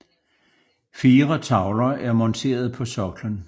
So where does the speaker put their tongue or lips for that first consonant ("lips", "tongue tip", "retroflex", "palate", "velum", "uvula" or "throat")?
lips